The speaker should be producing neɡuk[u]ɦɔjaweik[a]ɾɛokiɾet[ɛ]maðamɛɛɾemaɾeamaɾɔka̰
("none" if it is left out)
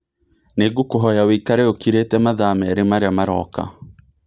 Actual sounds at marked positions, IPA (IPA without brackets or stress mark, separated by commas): o, a, ɛ